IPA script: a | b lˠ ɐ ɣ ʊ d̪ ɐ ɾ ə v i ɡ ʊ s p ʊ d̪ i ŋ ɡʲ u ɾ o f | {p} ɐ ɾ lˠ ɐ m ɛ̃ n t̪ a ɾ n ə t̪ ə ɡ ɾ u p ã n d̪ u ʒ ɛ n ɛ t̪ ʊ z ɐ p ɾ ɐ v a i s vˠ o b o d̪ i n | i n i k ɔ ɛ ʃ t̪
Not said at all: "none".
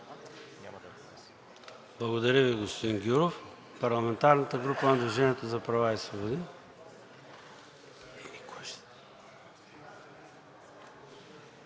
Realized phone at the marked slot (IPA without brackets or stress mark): p